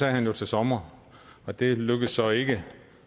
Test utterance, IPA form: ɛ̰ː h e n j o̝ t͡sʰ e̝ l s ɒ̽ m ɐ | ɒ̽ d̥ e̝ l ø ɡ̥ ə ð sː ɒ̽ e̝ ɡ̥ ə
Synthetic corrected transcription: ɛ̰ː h æ n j o̝ t͡sʰ e̝ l s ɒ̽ m ɐ | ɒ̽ d̥ e̝ l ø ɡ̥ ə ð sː ɒ̽ e̝ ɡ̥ ə

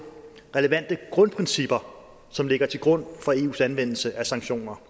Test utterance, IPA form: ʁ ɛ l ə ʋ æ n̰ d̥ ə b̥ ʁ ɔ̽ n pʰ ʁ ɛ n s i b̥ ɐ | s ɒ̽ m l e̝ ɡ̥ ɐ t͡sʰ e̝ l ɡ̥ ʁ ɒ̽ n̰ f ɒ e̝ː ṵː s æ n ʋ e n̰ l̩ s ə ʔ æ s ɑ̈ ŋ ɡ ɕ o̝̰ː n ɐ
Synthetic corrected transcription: ʁ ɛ l ə ʋ æ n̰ d̥ ə ɡ̥ ʁ ɔ̽ n pʰ ʁ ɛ n s i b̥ ɐ | s ɒ̽ m l e̝ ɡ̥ ɐ t͡sʰ e̝ l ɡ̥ ʁ ɔ̽ n̰ f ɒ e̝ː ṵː s æ n ʋ e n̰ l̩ s ə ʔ æ s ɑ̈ ŋ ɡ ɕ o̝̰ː n ɐ

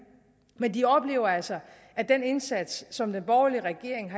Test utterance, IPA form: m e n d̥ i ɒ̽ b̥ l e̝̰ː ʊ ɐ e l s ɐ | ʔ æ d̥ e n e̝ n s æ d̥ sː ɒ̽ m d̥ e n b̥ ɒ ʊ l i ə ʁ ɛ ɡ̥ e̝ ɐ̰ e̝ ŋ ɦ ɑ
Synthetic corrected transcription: m e n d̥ i ɒ̽ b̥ l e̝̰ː ʊ ɐ æ l s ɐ | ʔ æ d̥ e n e̝ n s æ d̥ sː ɒ̽ m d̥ e n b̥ ɒ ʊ l i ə ʁ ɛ ɡ̥ e̝ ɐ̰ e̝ ŋ ɦ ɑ

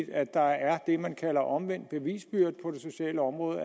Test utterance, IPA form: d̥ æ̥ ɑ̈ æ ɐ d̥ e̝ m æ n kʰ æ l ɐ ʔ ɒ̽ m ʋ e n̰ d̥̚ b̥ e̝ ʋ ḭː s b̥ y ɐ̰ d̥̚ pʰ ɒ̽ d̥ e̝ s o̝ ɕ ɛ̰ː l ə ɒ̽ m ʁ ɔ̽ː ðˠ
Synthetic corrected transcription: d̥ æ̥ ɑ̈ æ ɐ d̥ e̝ m æ n kʰ æ l ɐ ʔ ɒ̽ m ʋ e n̰ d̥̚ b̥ e̝ ʋ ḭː s b̥ y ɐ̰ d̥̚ pʰ ɒ̽ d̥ e̝ s o̝ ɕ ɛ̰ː l ə ɒ̽ m ʁ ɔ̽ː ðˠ

